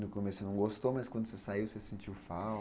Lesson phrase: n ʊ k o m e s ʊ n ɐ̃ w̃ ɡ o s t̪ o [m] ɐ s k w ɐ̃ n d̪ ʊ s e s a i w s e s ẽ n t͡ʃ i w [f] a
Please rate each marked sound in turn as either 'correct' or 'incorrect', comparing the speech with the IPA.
correct, correct

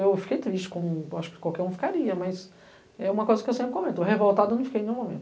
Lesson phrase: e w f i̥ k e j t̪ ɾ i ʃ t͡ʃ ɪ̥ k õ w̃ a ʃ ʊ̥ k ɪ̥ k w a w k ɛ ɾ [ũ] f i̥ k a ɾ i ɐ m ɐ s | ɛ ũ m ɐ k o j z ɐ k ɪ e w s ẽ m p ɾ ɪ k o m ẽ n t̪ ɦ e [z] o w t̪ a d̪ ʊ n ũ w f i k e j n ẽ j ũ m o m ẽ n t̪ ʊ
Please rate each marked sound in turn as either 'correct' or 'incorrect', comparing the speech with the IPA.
correct, incorrect

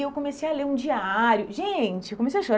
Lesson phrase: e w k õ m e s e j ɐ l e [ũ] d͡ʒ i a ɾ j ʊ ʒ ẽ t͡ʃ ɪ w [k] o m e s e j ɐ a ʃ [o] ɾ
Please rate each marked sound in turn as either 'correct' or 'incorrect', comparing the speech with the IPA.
correct, correct, correct

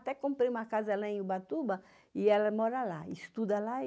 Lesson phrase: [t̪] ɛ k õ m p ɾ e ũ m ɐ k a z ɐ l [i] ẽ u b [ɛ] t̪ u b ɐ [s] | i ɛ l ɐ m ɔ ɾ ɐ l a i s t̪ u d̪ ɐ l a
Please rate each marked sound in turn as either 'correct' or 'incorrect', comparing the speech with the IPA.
correct, incorrect, incorrect, incorrect

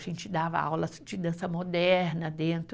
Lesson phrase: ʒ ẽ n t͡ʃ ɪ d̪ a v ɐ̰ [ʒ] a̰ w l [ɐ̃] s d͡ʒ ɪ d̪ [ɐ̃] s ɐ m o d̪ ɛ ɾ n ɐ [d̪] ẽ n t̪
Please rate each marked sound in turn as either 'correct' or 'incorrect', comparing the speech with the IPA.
incorrect, incorrect, correct, correct

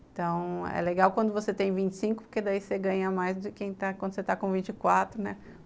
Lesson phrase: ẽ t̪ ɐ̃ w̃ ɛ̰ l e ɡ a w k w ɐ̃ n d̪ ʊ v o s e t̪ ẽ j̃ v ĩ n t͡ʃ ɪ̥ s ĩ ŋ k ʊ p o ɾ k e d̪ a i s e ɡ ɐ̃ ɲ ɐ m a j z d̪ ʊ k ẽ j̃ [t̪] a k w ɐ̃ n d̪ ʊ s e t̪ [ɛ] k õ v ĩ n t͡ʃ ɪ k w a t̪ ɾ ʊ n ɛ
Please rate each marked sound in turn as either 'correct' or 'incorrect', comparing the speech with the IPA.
correct, incorrect

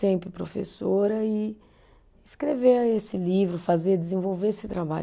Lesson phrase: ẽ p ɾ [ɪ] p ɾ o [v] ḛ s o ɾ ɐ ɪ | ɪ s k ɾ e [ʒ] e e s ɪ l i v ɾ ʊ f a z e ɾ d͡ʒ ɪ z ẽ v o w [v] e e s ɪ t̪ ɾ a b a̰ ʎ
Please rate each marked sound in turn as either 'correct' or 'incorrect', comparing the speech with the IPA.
correct, incorrect, incorrect, correct

